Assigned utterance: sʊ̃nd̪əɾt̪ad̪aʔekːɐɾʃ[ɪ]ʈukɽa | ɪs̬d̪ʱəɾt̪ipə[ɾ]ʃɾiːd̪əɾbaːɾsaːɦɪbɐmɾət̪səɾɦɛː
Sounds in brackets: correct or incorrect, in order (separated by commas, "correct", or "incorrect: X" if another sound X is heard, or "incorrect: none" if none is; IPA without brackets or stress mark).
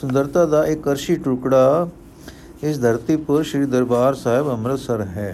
incorrect: i, correct